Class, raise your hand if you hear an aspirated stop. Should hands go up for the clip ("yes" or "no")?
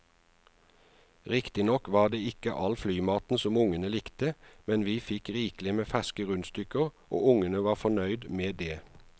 no